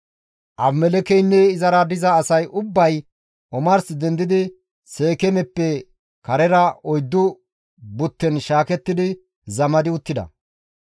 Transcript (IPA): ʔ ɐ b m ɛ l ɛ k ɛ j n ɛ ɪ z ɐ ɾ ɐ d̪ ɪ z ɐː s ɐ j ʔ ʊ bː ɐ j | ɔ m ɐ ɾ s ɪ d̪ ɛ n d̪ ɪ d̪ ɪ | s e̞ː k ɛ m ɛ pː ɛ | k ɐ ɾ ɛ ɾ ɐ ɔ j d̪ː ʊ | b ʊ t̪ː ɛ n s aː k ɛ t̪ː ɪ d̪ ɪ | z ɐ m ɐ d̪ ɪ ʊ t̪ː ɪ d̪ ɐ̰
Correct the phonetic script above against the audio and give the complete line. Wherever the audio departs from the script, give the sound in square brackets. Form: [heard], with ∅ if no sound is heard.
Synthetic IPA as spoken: ʔ ɐ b m ɛ l ɛ k ɛ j [nː] ɛ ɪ z ɐ ɾ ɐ d̪ ɪ z ɐː s ɐ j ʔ ʊ bː ɐ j | ɔ m ɐ ɾ s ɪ d̪ ɛ n d̪ ɪ d̪ ɪ | s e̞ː k ɛ m ɛ pː ɛ | k ɐ ɾ ɛ ɾ ɐ ɔ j d̪ː ʊ | b ʊ t̪ː ɛ n [ʃ] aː k ɛ t̪ː ɪ d̪ ɪ | z ɐ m ɐ d̪ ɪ ʊ t̪ː ɪ d̪ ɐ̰